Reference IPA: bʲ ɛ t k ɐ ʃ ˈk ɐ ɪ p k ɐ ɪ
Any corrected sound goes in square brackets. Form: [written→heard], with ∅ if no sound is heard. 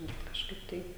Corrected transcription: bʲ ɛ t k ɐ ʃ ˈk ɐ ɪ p [k→t] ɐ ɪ